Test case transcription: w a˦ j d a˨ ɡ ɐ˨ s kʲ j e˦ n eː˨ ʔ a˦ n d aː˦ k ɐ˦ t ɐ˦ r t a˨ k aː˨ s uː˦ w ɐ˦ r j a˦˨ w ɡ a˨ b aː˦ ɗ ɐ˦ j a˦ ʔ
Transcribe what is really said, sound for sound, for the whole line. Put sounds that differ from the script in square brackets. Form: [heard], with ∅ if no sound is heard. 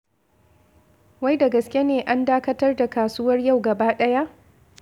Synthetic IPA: w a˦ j d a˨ ɡ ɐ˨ s kʲ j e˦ n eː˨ ʔ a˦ n d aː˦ k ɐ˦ t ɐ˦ r [d] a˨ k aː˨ s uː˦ w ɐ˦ r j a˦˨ w ɡ [ɐ˨] b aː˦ ɗ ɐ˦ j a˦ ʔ